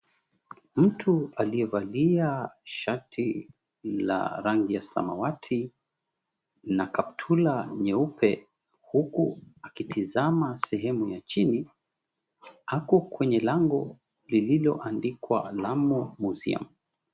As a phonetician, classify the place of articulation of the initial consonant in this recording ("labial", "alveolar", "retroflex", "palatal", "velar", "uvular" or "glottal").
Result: labial